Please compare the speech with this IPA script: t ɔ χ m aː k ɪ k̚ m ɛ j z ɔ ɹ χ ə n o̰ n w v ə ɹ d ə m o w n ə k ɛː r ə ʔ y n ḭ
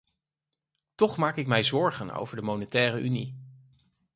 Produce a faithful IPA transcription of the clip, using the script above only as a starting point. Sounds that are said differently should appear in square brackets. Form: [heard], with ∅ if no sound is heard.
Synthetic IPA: t ɔ χ m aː k ɪ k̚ m ɛ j z ɔ ɹ χ ə n o̰ [∅] w v ə ɹ d ə m o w n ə [t] ɛː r ə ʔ y n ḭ